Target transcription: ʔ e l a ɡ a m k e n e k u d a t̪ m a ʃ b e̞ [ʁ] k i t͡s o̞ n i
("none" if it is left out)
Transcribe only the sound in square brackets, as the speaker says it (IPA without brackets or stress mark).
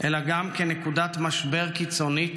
ʁ